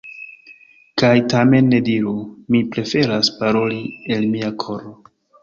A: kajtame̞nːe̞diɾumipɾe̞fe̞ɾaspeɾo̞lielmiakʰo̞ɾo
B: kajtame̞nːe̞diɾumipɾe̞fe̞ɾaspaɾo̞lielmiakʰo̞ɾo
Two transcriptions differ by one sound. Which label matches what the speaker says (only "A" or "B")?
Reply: B